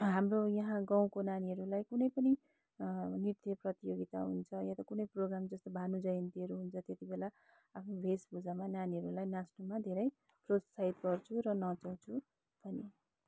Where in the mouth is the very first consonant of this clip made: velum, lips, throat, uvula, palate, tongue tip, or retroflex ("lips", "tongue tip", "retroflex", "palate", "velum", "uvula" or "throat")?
throat